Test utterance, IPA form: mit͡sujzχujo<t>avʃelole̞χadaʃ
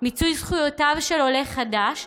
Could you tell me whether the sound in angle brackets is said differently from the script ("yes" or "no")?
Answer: no